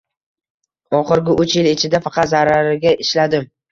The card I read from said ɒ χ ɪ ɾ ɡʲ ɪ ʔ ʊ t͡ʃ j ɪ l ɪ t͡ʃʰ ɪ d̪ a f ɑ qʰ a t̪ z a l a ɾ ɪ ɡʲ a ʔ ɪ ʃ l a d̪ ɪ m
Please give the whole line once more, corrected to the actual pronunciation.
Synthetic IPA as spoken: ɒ χ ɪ ɾ ɡʲ ɪ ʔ ʊ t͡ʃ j ɪ l ɪ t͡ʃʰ ɪ d̪ a f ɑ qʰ ɑ t̪ z a ɾ a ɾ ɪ ɡʲ a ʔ ɪ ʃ l a d̪ ɪ m